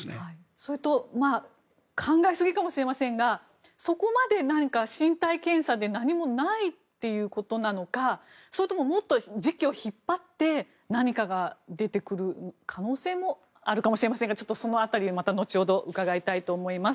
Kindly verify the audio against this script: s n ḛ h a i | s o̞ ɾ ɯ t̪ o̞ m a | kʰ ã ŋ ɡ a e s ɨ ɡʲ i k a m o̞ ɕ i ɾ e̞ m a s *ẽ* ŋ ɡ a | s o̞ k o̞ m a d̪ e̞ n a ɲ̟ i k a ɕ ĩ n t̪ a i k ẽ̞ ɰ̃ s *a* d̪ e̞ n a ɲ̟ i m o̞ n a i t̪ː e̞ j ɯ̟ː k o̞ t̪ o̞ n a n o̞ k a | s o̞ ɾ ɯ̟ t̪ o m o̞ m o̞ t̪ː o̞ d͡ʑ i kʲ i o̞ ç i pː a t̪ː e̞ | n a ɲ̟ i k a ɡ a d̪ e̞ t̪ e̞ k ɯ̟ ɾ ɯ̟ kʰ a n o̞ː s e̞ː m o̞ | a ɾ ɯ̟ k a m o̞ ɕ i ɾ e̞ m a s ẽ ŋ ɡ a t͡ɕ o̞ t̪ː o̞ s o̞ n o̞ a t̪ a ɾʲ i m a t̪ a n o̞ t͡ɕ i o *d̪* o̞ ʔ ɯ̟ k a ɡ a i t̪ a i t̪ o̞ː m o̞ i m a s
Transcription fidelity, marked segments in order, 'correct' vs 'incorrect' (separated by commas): correct, correct, correct